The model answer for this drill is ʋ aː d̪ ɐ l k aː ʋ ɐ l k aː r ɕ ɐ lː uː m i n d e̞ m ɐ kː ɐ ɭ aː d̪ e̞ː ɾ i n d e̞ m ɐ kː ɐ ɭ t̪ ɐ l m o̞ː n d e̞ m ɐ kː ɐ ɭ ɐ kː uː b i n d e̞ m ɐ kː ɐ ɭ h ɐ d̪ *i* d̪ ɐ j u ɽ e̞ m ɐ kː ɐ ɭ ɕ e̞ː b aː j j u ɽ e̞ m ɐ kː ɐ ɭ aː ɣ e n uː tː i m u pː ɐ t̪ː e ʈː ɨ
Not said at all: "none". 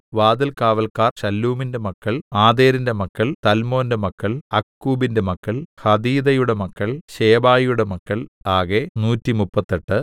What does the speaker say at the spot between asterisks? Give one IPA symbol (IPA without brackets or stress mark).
iː